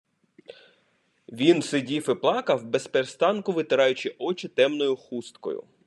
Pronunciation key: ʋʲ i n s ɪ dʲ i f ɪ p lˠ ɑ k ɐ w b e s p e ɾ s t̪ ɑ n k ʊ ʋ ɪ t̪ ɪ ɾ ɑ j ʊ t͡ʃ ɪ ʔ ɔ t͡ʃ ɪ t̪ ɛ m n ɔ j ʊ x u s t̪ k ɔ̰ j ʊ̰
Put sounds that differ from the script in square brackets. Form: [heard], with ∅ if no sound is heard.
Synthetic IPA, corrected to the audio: ʋʲ i n s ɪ dʲ i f ɪ p lˠ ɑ k ɐ w b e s p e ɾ s t̪ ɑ n k ʊ ʋ ɪ t̪ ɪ ɾ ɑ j ʊ t͡ʃ ɪ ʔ ɔ t͡ʃ ɪ t̪ ɛ m n ɔ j ʊ x u s t̪ k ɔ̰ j ʊ̰